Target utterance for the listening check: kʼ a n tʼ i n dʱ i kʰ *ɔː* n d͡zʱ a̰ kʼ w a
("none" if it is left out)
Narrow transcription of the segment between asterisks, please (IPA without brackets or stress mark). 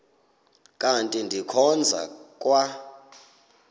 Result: ɔ